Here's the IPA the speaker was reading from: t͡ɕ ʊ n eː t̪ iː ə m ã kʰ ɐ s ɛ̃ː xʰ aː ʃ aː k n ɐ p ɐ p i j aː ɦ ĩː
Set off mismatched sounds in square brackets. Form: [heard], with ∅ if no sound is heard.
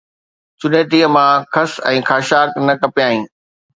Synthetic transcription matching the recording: t͡ɕ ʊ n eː t̪ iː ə m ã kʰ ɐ s ɛ̃ː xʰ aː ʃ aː k n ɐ [k] ɐ p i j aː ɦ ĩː

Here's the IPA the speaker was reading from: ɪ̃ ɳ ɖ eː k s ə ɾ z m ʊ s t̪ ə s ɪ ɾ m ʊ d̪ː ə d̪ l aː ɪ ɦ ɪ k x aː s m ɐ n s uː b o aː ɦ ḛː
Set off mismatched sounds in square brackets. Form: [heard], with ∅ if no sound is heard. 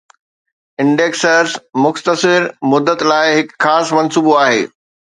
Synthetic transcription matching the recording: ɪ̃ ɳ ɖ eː k s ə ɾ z m ʊ [x] t̪ ə s ɪ ɾ m ʊ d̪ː ə [t̪] l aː ɪ ɦ ɪ k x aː s m ɐ n s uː b o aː ɦ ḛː

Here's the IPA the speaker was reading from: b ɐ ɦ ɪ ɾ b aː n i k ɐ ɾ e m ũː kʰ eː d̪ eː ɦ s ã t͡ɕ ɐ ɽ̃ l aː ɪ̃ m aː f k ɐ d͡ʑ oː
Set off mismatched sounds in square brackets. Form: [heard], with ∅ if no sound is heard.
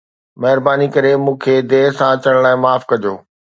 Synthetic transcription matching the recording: [m] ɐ ɦ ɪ ɾ b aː n i k ɐ ɾ e m ũː kʰ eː d̪ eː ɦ s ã t͡ɕ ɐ ɽ̃ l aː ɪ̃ m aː f k ɐ d͡ʑ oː

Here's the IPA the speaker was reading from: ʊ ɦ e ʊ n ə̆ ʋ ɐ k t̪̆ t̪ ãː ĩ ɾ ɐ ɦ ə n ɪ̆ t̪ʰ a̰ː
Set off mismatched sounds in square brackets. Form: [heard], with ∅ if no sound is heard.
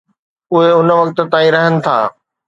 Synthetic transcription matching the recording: ʊ ɦ e ʊ n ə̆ ʋ ɐ k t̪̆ t̪ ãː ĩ ɾ ɐ ɦ ə n ɪ̆ t̪ʰ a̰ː

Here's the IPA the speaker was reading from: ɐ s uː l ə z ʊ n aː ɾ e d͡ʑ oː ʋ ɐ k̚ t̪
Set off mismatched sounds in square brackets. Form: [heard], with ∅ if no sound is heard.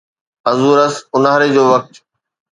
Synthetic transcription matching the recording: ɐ [z] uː [ɾ] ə [s] ʊ n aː ɾ e d͡ʑ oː ʋ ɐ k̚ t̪

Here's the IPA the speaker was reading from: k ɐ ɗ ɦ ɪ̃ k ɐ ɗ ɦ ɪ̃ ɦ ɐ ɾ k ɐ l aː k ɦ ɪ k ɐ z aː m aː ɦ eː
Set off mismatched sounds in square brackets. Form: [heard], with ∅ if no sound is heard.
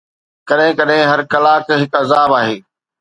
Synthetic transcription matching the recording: k ɐ ɗ ɦ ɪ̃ k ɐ ɗ ɦ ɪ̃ ɦ ɐ ɾ k ɐ l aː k ɦ ɪ k ɐ z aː [b] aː ɦ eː

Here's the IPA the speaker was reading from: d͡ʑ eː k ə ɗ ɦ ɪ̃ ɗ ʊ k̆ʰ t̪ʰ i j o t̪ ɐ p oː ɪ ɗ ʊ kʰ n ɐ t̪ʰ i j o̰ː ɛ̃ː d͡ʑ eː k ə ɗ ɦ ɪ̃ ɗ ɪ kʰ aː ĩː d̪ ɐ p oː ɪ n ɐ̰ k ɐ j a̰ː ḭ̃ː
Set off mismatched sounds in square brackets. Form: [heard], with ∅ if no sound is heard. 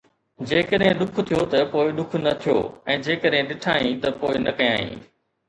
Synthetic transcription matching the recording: d͡ʑ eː k ə ɗ ɦ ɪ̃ ɗ ʊ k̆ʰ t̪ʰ i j o t̪ ɐ p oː ɪ ɗ ʊ kʰ n ɐ t̪ʰ i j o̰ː ɛ̃ː d͡ʑ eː k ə ɗ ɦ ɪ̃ ɗ ɪ [ʈʰ] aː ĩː [t̪] ɐ p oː ɪ n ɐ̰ k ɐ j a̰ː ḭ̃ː

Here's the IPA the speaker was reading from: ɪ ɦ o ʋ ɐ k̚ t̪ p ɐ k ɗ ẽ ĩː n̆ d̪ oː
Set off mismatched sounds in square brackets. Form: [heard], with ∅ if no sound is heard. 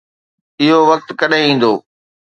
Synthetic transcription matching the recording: ɪ ɦ o ʋ ɐ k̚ t̪ [k] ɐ [∅] ɗ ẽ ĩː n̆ d̪ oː

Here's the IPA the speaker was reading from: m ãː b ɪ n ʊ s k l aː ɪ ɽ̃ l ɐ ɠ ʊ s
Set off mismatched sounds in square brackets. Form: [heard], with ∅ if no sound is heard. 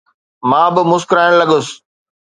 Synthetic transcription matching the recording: m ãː b ɪ [m] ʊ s k [ɾ] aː ɪ ɽ̃ l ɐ ɠ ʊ s

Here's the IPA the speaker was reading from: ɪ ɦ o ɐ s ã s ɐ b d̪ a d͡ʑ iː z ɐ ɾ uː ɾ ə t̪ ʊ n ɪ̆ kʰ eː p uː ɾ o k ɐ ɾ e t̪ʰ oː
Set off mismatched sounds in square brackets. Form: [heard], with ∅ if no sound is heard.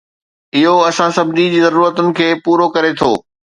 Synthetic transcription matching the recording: ɪ ɦ o ɐ s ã s ɐ b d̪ [i] d͡ʑ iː z ɐ ɾ uː ɾ ə t̪ ʊ n ɪ̆ kʰ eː p uː ɾ o k ɐ ɾ e t̪ʰ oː

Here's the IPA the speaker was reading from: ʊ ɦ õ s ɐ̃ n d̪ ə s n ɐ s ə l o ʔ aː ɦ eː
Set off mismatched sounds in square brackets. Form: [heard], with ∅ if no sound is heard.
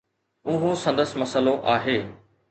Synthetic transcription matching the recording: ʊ ɦ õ s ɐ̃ n d̪ ə s [m] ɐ s ə l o ʔ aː ɦ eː

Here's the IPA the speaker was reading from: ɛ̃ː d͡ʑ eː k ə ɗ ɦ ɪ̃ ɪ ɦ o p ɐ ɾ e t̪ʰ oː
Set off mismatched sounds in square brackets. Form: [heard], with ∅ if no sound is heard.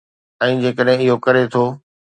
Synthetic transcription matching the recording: ɛ̃ː d͡ʑ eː k ə ɗ ɦ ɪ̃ ɪ ɦ o [k] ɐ ɾ e t̪ʰ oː

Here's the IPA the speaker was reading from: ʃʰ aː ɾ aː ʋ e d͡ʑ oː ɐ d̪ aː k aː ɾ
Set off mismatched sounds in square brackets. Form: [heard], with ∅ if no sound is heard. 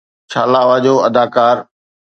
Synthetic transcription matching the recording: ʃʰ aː [l] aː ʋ [a] d͡ʑ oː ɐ d̪ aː k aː ɾ

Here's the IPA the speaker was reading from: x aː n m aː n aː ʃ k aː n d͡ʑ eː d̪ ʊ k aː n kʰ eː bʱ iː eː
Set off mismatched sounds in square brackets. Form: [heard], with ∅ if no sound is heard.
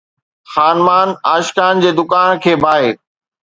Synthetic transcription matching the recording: x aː n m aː n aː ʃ k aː n d͡ʑ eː d̪ ʊ k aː n kʰ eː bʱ [aː] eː

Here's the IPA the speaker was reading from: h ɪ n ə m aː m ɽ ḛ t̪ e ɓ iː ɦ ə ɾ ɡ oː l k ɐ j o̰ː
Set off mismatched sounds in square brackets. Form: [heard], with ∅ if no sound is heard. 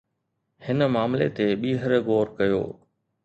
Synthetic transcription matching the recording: h ɪ n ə m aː m [l] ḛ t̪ e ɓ iː ɦ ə ɾ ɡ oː [ɾ] k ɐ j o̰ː

